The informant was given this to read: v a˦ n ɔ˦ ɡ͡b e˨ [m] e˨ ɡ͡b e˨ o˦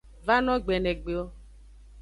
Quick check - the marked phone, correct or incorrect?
incorrect